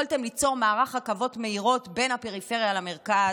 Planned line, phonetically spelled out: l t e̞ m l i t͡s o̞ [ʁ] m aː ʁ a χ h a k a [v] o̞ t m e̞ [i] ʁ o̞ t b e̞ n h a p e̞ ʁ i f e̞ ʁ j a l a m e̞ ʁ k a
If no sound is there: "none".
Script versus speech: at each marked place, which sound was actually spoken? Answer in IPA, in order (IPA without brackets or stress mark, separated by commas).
ʁ, v, i